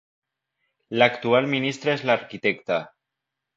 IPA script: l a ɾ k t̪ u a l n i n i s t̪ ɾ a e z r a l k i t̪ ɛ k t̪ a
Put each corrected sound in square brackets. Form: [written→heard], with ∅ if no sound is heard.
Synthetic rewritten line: l a [ɾ→∅] k t̪ u a l [n→m] i n i s t̪ ɾ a e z [r→l] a [l→ɾ] k i t̪ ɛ k t̪ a